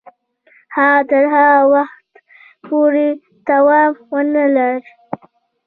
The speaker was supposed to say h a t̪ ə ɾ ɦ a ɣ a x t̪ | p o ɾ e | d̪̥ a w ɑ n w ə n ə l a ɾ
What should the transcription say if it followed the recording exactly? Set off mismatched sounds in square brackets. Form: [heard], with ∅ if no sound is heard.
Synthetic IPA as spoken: h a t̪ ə ɾ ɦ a [w] a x t̪ | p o ɾ e | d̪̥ a w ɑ [m] w ə n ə l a ɾ